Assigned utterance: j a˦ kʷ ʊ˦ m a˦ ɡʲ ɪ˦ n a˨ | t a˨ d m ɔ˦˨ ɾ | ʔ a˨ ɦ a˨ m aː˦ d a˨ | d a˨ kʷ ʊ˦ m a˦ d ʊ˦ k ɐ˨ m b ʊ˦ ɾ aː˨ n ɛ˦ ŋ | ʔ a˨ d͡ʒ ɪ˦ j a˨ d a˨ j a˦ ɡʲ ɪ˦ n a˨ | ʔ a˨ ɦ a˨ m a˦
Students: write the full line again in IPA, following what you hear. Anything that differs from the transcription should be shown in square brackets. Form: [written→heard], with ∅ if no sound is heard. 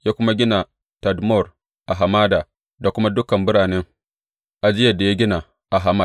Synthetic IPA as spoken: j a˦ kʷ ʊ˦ m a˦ ɡʲ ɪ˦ n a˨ | t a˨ d m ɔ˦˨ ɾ | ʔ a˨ ɦ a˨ m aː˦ d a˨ | d a˨ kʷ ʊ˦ m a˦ d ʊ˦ k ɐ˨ m b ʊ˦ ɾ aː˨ n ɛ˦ ŋ | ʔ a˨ d͡ʒ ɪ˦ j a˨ d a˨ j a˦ ɡʲ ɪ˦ n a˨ | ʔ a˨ ɦ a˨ m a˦

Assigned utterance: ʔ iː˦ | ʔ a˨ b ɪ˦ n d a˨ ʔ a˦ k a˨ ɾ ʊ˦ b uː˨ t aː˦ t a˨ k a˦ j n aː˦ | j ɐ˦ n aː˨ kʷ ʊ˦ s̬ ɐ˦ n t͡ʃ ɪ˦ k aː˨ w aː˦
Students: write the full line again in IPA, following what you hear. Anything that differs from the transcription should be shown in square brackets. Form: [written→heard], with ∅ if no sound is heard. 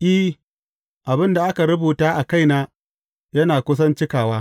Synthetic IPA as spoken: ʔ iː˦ | ʔ a˨ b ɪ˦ n d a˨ ʔ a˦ k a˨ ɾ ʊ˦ b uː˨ t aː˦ [t→ʔ] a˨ k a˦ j n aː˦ | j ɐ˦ n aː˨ kʷ ʊ˦ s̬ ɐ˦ n t͡ʃ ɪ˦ k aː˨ w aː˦

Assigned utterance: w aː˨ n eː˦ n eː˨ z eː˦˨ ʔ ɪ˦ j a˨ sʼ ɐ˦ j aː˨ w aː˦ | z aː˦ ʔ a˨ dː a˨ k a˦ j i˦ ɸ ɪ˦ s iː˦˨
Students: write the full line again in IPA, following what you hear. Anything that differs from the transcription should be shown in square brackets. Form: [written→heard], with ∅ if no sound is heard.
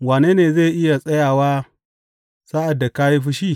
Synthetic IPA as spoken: w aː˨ n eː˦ n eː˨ z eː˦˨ ʔ ɪ˦ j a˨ sʼ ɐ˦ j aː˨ w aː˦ | [z→s] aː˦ ʔ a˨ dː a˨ k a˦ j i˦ ɸ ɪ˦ [s→ʃ] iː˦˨

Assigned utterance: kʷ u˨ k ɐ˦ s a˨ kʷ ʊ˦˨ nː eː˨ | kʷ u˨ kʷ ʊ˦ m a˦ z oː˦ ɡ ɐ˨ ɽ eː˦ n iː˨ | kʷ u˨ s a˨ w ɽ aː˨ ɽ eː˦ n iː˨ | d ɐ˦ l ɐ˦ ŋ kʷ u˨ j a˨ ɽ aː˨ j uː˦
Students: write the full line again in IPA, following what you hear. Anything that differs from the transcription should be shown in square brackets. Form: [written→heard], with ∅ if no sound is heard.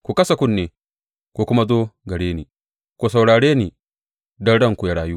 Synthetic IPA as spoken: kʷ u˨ k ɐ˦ s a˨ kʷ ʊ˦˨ nː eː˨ | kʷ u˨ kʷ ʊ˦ m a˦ z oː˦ ɡ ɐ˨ ɽ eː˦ n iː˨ | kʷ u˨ s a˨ w ɽ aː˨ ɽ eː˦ n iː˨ | d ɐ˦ [l→ɽ] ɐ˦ ŋ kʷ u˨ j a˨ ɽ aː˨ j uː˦

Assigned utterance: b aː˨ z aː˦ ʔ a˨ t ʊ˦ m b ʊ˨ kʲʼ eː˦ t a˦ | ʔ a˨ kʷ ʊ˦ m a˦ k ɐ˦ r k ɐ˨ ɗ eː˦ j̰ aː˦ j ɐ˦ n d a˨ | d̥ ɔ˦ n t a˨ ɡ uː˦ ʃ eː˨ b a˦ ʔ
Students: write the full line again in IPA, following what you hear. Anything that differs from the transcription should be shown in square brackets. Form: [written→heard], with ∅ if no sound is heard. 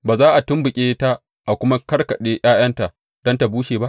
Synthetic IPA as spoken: b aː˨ z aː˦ ʔ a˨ t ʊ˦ m b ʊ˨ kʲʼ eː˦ t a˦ | ʔ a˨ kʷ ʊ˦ m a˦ k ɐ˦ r k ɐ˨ ɗ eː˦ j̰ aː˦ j ɐ˦ n [d→t] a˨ | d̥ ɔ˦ n t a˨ [ɡ→b] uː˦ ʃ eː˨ b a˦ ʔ

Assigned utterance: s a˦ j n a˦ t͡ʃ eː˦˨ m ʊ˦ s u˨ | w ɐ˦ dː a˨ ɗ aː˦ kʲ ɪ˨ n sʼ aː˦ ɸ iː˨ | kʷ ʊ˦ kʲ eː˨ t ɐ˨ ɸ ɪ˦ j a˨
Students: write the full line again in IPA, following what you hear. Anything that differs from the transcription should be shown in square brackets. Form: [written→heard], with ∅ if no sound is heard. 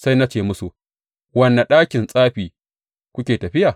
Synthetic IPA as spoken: s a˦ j n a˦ t͡ʃ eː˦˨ m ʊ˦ s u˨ | w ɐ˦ [dː→nː] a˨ ɗ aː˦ kʲ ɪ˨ n sʼ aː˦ ɸ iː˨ | kʷ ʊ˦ kʲ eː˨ t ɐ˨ ɸ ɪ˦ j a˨

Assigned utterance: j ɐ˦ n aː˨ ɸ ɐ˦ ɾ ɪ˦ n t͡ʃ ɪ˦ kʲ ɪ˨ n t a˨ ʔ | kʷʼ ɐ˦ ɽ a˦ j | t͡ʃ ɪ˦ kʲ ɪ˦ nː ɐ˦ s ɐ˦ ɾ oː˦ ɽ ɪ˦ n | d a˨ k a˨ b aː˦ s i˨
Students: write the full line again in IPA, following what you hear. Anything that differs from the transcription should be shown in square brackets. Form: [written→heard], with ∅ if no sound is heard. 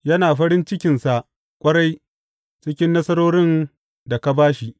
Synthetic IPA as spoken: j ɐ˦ n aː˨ ɸ ɐ˦ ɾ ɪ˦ n t͡ʃ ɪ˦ kʲ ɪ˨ n [t→s] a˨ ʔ | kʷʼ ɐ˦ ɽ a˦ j | t͡ʃ ɪ˦ kʲ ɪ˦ nː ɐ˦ s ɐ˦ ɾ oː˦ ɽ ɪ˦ n | d a˨ k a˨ b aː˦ [s→ʃ] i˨

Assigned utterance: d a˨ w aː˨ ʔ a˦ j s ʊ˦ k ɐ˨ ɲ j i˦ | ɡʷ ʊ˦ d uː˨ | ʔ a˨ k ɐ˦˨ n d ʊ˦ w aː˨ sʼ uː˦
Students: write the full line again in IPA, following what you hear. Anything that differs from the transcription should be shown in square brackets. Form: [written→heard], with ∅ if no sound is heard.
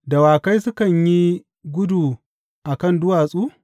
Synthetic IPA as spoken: d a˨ w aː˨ [ʔ→k] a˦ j s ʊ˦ k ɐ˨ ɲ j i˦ | ɡʷ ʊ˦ d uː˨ | ʔ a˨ k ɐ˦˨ n d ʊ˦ w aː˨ sʼ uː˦

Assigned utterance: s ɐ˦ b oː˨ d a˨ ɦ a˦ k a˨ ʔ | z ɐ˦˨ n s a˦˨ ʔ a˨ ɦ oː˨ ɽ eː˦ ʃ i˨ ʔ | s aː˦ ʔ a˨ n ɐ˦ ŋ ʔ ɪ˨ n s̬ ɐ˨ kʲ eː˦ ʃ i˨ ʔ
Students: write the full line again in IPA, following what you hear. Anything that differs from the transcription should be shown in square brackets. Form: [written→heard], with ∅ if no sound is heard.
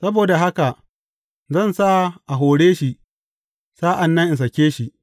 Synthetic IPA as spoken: s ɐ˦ b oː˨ d a˨ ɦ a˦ k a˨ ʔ | z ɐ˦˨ n s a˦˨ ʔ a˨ ɦ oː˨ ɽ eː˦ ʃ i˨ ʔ | s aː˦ ʔ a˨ [n→nː] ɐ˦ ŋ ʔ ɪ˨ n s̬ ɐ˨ kʲ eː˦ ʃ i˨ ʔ

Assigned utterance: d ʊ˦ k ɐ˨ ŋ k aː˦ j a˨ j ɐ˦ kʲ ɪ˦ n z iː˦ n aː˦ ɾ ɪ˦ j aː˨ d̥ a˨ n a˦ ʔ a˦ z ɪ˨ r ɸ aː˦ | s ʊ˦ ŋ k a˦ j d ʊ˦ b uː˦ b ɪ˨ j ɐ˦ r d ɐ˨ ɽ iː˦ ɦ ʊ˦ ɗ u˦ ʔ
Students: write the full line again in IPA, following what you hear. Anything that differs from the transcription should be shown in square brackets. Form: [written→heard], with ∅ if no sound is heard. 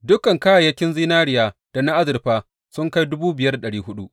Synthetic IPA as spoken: d ʊ˦ k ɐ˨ ŋ k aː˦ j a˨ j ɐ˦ kʲ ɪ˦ n z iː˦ n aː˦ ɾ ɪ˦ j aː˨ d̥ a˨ n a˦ ʔ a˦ z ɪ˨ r ɸ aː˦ | s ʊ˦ ŋ k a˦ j d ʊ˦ b uː˦ b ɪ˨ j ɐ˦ r [d→ɗ] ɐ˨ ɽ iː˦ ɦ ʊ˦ ɗ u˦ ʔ

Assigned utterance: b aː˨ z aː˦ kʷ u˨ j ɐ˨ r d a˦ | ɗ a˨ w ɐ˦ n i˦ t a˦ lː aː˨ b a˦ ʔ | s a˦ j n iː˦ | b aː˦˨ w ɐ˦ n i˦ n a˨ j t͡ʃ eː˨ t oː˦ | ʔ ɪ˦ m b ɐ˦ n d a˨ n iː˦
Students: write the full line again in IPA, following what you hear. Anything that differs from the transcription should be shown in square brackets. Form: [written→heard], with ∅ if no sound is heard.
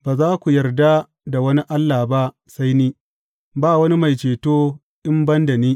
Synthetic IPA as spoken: b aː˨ z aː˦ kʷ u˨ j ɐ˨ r d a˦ | [ɗ→d] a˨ w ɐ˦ n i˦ [t→ʔ] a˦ lː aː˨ b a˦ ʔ | s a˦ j n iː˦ | b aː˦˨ w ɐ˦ n i˦ [n→m] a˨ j t͡ʃ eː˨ t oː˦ | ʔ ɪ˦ m b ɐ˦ n d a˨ n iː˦

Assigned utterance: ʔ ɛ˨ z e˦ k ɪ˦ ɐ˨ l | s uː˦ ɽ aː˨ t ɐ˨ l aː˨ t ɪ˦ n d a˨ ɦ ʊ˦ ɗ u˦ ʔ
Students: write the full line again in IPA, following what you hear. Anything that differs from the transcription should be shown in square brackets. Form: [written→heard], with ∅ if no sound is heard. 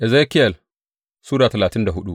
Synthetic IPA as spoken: ʔ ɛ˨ z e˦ k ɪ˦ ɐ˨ l | s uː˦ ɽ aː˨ t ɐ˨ l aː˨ t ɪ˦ n d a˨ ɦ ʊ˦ ɗ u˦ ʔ

